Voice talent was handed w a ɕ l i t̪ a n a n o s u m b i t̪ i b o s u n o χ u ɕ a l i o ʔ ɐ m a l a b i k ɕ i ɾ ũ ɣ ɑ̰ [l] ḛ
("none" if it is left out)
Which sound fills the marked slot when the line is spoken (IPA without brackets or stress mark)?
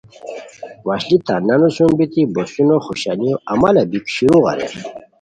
ɾ